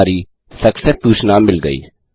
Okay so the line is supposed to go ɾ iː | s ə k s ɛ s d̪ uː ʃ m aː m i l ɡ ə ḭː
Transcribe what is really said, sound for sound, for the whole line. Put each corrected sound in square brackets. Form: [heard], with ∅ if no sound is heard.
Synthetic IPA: ɾ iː | s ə k s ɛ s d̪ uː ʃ [n] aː m [ɪ] l ɡ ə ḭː